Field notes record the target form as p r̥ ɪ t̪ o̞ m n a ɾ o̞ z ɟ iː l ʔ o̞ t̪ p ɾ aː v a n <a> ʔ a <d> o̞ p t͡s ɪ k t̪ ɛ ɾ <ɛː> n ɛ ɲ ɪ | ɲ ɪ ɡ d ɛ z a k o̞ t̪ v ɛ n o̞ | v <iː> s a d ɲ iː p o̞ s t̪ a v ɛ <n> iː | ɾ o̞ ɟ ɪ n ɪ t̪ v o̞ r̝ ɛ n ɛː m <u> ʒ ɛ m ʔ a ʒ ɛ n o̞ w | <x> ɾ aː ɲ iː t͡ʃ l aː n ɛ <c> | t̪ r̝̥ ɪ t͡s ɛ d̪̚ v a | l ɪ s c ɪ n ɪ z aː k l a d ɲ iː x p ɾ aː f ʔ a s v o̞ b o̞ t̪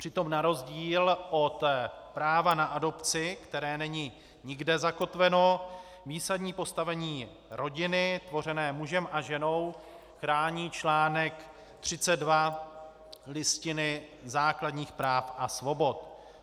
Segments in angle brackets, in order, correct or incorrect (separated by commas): correct, correct, correct, correct, incorrect, correct, correct, incorrect